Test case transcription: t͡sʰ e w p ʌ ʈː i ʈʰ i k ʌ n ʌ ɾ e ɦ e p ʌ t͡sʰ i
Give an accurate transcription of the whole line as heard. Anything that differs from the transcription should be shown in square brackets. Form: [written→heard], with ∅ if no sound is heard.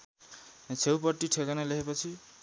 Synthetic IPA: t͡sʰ e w p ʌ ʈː i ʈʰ [i→e] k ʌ n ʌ [ɾ→l] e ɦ e p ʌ t͡sʰ i